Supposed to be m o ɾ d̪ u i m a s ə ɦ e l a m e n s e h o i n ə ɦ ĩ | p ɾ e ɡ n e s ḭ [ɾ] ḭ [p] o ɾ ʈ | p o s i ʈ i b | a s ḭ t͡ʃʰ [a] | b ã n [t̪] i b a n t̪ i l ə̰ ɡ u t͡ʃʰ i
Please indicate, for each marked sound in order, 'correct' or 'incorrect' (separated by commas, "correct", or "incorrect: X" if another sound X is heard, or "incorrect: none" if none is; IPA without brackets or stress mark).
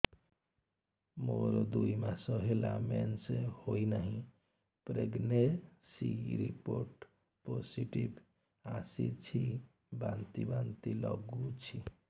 correct, correct, incorrect: i, correct